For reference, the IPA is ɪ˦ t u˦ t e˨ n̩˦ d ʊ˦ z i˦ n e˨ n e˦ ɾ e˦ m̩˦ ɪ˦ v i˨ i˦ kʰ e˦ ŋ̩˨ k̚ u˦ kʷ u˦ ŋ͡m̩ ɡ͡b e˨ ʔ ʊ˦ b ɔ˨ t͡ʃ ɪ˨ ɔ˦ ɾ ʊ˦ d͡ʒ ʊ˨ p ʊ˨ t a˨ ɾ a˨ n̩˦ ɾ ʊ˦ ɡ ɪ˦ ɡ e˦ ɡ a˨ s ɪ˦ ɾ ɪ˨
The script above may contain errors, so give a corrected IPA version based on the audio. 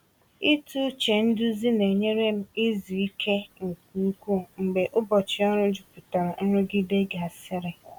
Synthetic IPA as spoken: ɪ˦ t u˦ t͡ʃ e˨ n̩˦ d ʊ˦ z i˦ n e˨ ɲ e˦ ɾ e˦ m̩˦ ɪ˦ z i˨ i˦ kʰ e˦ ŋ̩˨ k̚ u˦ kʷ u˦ ŋ͡m̩ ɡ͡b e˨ ʔ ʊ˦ b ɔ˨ t͡ʃ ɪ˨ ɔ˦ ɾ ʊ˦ d͡ʒ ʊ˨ p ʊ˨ t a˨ ɾ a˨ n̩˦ ɾ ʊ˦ ɡ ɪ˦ d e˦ ɡ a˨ s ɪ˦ ɾ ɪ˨